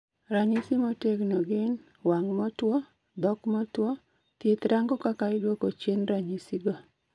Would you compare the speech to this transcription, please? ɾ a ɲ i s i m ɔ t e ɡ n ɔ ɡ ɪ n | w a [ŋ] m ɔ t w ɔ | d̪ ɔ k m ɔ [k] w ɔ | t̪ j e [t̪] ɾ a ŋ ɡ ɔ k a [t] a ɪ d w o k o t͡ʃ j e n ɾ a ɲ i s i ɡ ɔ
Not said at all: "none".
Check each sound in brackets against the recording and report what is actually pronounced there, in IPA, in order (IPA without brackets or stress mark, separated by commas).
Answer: ŋ, t, t̪, k